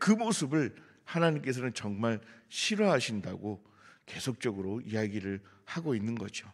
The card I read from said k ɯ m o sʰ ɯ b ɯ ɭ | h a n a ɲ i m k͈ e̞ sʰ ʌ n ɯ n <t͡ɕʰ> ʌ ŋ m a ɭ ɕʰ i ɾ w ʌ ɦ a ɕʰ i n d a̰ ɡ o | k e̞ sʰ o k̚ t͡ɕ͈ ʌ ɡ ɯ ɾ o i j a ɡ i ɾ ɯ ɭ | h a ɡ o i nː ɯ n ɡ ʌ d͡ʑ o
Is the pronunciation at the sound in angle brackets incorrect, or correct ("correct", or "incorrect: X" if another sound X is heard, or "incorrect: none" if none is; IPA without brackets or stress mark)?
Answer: incorrect: t͡ɕ